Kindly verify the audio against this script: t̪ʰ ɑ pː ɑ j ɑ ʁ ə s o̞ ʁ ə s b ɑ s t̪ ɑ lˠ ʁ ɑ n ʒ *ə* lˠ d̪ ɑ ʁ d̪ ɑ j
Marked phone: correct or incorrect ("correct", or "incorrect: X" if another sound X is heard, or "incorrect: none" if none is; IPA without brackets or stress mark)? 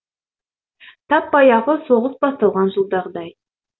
correct